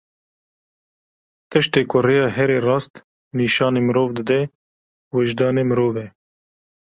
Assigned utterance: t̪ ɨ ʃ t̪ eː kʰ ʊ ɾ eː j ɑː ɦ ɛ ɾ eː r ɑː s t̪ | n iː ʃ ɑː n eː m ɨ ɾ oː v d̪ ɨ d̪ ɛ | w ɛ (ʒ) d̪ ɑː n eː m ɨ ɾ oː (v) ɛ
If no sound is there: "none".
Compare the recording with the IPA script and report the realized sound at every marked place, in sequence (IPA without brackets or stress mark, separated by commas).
ʒ, v